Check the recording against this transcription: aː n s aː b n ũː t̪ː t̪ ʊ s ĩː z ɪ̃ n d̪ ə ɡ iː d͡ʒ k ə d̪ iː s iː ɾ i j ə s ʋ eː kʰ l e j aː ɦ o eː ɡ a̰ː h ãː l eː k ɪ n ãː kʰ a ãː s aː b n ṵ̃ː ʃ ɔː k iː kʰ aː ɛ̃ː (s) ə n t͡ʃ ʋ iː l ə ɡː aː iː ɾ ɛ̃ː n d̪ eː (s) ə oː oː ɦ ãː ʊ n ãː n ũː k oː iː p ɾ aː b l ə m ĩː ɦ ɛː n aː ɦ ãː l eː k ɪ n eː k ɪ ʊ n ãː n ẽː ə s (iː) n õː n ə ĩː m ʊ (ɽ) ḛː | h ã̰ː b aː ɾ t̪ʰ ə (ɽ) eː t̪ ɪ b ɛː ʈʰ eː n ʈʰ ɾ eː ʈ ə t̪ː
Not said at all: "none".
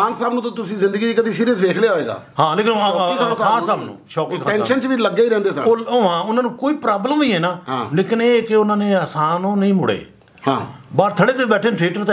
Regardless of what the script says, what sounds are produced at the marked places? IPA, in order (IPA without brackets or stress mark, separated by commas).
ʃ, s, aː, ɽ, ɽ